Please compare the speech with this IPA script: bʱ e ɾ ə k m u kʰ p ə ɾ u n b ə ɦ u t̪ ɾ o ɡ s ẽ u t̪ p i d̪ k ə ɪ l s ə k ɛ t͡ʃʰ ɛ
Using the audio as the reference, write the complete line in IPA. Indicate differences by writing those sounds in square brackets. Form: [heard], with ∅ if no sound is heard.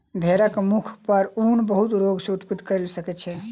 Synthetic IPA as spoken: bʱ e ɾ ə k m u kʰ p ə ɾ u n b ə ɦ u t̪ ɾ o ɡ s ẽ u t̪ p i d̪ k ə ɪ l s ə k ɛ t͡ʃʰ ɛ